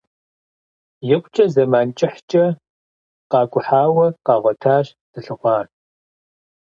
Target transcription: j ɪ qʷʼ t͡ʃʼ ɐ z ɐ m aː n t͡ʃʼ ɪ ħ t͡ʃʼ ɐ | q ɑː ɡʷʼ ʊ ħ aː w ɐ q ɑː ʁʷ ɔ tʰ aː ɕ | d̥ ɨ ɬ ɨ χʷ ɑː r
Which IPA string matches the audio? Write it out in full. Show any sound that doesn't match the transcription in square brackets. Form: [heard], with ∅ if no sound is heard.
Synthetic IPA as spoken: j ɪ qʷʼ t͡ʃʼ ɐ z ɐ m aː n t͡ʃʼ ɪ ħ t͡ʃʼ ɐ | q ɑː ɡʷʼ ʊ ħ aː w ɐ q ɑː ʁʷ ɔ tʰ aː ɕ | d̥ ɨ ɬ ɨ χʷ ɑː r